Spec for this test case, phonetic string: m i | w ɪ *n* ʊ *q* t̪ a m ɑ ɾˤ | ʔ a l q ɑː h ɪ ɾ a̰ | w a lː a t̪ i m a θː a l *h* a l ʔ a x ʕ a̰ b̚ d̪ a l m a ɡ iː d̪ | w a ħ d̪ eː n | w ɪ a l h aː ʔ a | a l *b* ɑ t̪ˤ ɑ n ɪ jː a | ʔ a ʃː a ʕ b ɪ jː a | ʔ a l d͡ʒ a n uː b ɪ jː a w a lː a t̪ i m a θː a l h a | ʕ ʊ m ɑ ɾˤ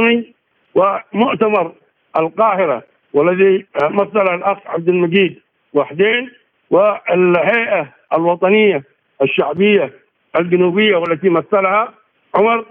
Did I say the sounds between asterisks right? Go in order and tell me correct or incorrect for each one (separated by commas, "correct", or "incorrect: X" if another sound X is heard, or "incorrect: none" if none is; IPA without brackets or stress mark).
incorrect: m, incorrect: ʔ, correct, incorrect: w